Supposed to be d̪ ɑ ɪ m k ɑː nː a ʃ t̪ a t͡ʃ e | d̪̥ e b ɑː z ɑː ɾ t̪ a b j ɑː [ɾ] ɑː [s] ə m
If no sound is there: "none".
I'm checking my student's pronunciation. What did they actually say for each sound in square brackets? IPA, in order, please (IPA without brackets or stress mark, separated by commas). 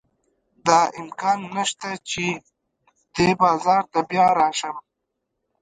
ɾ, ʃ